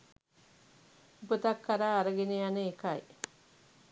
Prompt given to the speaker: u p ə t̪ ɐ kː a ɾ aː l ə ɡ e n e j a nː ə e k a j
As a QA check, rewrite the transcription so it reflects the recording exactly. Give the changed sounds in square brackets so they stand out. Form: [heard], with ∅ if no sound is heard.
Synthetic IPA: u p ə t̪ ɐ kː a ɾ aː [ɾ] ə ɡ e n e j a [n] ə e k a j